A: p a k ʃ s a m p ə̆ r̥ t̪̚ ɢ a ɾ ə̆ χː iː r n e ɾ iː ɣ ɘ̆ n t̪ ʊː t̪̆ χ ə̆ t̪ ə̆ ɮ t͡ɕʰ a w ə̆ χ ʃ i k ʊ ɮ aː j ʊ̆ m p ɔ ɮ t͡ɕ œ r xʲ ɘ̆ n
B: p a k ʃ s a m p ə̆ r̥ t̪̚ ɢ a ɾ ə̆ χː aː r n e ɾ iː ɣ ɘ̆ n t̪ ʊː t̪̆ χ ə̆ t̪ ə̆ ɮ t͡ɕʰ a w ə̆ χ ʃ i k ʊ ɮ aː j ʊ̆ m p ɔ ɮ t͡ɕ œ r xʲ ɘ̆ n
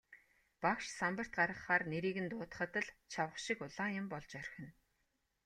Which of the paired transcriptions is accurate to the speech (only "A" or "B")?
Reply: B